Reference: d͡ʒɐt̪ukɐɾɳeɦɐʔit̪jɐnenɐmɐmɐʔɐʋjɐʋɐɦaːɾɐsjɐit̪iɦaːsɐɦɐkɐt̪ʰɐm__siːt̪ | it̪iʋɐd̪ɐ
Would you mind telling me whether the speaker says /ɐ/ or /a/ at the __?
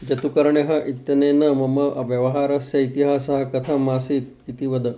a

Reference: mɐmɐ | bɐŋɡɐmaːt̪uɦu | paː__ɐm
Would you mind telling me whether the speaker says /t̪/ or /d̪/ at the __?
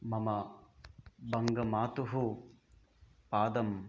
d̪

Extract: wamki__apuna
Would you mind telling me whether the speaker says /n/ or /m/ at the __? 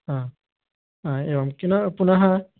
n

